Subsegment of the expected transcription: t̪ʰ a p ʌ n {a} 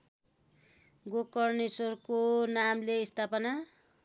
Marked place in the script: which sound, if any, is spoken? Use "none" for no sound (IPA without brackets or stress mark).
a